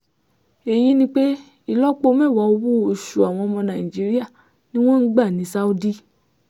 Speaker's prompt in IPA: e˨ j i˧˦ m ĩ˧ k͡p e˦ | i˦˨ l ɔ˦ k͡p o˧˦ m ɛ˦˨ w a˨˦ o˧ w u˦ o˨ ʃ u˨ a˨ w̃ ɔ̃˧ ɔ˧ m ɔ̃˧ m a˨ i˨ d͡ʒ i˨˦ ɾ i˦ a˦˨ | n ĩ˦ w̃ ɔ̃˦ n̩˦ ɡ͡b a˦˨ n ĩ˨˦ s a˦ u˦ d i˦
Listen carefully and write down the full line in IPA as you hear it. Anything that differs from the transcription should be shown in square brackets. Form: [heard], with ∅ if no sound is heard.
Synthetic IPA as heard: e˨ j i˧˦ [n] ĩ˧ k͡p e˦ | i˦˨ l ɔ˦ k͡p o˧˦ m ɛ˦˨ w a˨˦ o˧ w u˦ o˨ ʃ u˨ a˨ w̃ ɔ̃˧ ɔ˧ m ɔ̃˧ [n] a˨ i˨ d͡ʒ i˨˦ ɾ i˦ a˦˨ | n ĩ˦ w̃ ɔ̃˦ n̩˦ ɡ͡b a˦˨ n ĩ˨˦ s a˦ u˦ d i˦